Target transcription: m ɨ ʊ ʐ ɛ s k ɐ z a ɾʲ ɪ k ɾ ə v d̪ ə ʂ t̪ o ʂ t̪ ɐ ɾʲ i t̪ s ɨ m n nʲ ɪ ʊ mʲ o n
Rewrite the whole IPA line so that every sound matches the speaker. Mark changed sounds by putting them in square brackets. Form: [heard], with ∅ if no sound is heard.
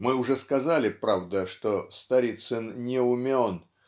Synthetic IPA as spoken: m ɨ ʊ ʐ ɛ s k ɐ z a [lʲ] ɪ [p] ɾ [a] v d̪ ə ʂ t̪ o [s] t̪ ɐ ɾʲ i t̪ s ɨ [∅] n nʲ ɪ ʊ mʲ o n